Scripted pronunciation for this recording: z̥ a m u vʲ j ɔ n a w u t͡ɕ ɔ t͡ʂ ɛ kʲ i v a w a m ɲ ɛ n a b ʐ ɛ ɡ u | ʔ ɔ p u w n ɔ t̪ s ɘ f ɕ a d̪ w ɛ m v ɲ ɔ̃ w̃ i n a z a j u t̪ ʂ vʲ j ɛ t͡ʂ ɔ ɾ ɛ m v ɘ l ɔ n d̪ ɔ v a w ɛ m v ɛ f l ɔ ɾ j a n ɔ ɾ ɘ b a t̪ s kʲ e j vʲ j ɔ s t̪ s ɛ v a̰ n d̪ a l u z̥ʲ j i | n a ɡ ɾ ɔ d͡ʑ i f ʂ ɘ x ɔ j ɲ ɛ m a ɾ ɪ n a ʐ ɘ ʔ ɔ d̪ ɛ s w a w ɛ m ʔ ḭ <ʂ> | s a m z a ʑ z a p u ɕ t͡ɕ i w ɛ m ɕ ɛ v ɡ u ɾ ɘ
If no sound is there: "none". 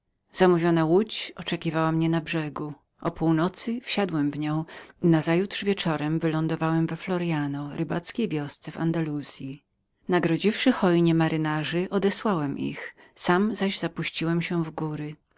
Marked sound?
x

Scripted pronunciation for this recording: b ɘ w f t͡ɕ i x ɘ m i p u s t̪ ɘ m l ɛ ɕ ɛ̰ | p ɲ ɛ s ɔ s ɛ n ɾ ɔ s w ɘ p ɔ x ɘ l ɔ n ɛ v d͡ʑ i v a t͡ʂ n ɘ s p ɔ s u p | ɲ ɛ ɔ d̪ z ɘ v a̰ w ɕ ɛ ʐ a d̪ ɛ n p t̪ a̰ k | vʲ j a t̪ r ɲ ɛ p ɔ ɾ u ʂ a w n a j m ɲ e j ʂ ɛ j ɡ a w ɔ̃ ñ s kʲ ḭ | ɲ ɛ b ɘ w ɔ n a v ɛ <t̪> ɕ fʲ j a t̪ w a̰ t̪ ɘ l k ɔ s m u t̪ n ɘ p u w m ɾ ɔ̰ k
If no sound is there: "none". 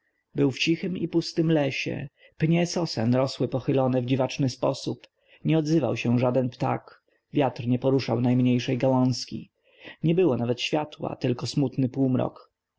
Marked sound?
t̪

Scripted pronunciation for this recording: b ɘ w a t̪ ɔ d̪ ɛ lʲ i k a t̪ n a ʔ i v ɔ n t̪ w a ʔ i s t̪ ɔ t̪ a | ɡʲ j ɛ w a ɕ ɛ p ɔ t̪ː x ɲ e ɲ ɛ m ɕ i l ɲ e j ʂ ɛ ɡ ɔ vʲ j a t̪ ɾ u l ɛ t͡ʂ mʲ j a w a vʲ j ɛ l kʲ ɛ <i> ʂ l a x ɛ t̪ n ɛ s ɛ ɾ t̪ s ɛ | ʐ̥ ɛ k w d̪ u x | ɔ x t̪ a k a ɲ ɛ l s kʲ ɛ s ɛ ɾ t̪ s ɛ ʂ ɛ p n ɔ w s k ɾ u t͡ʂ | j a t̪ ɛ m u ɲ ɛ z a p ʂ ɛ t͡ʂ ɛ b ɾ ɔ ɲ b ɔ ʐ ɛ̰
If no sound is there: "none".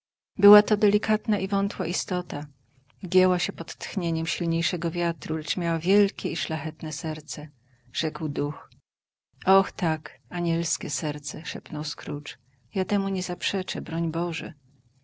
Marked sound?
i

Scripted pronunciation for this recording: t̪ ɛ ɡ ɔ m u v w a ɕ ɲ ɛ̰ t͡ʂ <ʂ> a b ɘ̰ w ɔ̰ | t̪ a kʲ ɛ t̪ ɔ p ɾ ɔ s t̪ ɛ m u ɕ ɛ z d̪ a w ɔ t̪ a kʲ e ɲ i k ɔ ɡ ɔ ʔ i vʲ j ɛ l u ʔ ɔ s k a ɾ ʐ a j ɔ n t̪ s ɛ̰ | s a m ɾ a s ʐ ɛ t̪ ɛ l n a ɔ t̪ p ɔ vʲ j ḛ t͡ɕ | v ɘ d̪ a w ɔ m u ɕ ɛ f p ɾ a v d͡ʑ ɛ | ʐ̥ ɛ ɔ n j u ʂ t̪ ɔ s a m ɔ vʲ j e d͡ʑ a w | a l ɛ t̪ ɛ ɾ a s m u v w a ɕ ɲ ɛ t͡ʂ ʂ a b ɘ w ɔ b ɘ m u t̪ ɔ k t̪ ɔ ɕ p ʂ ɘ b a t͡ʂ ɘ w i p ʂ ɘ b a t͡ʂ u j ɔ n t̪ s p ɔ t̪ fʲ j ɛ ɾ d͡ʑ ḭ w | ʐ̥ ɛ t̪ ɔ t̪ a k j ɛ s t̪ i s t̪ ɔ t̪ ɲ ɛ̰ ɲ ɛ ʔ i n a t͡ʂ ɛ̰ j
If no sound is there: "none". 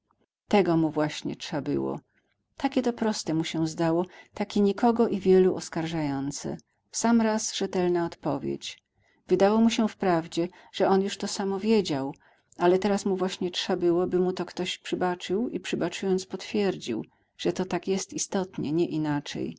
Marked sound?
ʂ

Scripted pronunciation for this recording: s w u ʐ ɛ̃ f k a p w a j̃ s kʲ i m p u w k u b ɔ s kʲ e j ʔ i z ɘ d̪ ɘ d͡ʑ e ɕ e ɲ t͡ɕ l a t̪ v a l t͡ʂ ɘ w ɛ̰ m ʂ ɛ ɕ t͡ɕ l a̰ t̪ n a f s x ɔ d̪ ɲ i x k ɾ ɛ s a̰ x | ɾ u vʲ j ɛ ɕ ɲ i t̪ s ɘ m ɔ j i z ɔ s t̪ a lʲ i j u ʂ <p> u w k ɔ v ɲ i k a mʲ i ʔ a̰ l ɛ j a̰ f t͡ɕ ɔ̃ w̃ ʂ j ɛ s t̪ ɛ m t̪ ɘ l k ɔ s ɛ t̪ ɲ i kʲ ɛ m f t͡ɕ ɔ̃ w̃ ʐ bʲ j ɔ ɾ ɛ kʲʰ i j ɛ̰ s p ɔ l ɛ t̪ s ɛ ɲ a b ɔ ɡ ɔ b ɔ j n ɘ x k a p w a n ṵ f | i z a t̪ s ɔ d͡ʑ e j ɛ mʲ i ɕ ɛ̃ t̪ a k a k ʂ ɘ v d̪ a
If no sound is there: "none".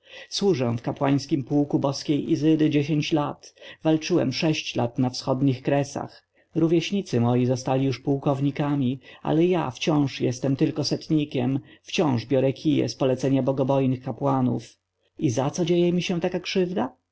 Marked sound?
p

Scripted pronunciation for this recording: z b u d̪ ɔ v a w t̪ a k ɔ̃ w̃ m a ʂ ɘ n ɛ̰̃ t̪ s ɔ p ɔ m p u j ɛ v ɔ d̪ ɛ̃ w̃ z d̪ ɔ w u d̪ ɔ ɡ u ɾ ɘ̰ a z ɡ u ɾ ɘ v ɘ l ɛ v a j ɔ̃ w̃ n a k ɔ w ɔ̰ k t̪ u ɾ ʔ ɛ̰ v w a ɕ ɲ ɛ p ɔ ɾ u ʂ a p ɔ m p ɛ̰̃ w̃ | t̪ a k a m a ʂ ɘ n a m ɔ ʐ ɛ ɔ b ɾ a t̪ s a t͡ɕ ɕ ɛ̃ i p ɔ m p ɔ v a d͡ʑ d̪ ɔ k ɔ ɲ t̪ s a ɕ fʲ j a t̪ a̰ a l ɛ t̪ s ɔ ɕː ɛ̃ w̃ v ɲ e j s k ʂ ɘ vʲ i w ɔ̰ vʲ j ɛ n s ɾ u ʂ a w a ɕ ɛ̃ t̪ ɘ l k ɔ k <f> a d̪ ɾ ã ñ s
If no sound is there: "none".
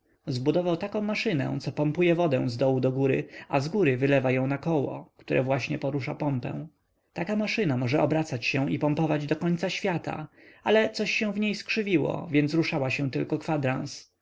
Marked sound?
f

